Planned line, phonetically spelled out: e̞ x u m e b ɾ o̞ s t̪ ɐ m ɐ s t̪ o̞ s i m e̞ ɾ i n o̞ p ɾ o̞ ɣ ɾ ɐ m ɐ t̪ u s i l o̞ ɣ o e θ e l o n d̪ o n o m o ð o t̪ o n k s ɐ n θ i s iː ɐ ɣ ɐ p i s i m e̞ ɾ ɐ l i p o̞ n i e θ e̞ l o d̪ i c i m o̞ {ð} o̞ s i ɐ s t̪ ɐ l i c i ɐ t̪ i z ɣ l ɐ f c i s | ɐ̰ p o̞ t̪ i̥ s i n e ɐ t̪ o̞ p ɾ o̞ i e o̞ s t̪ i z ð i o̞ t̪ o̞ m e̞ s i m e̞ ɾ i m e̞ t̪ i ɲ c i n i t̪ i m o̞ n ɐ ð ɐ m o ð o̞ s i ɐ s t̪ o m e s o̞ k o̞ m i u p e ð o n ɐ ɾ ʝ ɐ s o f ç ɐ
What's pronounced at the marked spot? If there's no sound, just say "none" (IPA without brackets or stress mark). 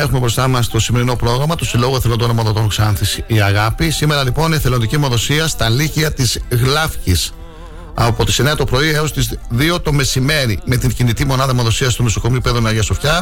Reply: ð